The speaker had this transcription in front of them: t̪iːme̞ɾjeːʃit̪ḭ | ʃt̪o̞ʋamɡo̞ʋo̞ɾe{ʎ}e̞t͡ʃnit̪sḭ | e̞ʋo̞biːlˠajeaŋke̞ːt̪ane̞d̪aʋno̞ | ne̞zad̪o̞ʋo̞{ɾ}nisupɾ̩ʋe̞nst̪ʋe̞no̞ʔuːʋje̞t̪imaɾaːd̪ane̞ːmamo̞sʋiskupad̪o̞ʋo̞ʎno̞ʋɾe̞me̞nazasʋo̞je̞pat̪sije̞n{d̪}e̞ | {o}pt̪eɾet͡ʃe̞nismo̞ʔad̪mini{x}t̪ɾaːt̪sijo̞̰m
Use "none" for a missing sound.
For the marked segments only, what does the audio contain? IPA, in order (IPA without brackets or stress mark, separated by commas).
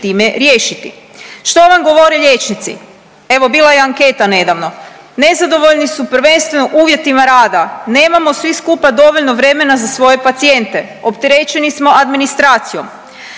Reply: ʎ, ʎ, t̪, o, s